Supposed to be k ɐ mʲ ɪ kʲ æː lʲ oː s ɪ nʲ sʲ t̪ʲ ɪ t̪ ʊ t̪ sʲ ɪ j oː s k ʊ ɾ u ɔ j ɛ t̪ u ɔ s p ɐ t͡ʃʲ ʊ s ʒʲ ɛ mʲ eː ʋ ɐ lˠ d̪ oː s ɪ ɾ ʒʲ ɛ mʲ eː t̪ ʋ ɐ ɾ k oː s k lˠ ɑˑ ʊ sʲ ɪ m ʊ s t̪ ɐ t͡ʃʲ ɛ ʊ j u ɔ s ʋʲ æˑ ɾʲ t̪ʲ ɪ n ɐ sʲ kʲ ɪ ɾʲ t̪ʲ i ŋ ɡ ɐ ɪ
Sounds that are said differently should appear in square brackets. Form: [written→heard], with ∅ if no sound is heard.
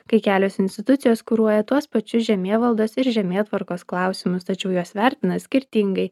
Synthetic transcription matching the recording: k ɐ [mʲ→∅] ɪ kʲ æː lʲ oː s ɪ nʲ sʲ t̪ʲ ɪ t̪ ʊ t̪ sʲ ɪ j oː s k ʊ ɾ u ɔ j ɛ t̪ u ɔ s p ɐ t͡ʃʲ ʊ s ʒʲ ɛ mʲ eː ʋ ɐ lˠ d̪ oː s ɪ ɾ ʒʲ ɛ mʲ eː t̪ ʋ ɐ ɾ k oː s k lˠ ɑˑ ʊ sʲ ɪ m ʊ s t̪ ɐ t͡ʃʲ ɛ ʊ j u ɔ s ʋʲ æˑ ɾʲ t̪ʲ ɪ n ɐ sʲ kʲ ɪ ɾʲ t̪ʲ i ŋ ɡ ɐ ɪ